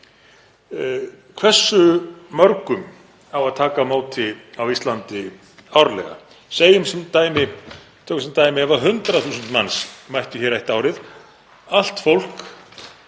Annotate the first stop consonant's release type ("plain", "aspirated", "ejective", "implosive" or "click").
aspirated